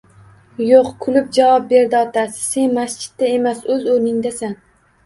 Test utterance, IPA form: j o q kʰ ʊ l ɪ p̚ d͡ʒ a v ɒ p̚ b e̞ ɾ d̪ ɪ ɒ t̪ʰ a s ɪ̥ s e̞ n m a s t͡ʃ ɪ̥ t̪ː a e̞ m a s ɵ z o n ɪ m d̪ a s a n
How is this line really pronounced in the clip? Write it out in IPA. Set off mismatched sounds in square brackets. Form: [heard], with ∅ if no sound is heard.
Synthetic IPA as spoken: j o q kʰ ʊ l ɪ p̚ d͡ʒ a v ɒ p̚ b e̞ ɾ d̪ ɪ ɒ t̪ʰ a s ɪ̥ s e̞ n m a s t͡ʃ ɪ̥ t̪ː a e̞ m a s ɵ z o n ɪ [ŋ] d̪ a s a n